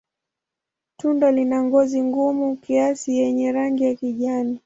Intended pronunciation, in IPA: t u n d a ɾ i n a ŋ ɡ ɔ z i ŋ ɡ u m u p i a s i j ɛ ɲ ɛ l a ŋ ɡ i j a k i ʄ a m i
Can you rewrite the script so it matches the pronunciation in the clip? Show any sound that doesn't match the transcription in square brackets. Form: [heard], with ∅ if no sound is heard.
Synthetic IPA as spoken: t u n d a [l] i n a ŋ ɡ ɔ z i ŋ ɡ u m u [k] i a s i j ɛ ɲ ɛ [ɾ] a ŋ ɡ i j a k i ʄ a [n] i